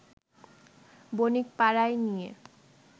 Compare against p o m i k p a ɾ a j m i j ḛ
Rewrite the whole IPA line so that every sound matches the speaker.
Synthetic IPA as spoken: b o n i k p a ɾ a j n i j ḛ

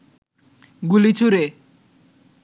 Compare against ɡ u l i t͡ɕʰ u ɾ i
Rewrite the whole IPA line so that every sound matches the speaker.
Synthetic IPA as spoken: ɡ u l i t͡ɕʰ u ɾ e

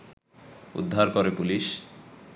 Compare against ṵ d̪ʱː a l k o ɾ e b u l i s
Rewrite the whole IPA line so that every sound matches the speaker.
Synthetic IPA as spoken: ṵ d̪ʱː a ɾ k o ɾ e p u l i ʃ

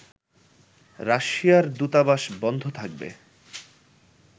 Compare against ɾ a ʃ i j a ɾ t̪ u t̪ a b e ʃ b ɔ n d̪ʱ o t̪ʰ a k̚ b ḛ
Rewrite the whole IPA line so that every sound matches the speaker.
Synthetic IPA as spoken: ɾ a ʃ i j a ɾ d̪ u t̪ a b a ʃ b ɔ n d̪ʱ o t̪ʰ a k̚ b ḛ

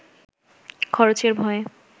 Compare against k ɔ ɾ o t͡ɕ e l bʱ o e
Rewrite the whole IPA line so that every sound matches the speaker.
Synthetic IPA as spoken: kʰ ɔ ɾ o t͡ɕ e ɾ bʱ ɔ e

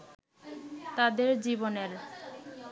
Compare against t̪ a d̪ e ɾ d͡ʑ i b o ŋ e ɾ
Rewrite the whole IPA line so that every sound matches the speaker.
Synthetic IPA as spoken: t̪ a d̪ e ɾ d͡ʑ i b o n e ɾ

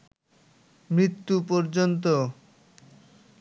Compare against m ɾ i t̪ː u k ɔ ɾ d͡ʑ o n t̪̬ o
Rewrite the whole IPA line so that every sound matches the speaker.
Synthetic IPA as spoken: m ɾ i t̪ː u p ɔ ɾ d͡ʑ o n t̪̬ o

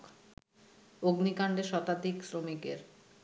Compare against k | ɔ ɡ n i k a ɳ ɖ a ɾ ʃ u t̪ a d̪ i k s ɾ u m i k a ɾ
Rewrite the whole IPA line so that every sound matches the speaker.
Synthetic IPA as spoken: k | o ɡ n i k a ɳ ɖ e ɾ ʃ ɔ t̪ a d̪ i k s ɾ o m i k e ɾ

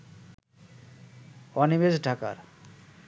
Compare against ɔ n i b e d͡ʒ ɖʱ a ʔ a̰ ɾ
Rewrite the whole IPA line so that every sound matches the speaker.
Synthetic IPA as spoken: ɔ n i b e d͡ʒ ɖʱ a k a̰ ɾ

